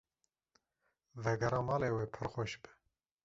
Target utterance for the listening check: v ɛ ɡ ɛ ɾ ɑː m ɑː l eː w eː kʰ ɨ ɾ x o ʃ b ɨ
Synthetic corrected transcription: v ɛ ɡ ɛ ɾ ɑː m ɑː l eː w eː pʰ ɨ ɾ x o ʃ b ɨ